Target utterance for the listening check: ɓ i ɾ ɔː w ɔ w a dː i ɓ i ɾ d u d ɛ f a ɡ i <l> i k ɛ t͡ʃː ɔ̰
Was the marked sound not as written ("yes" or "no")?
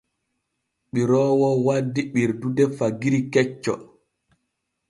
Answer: yes